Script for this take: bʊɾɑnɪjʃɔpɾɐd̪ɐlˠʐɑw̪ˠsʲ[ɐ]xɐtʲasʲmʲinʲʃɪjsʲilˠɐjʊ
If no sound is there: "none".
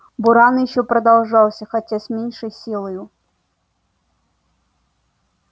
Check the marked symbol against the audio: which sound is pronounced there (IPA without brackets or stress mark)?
ɐ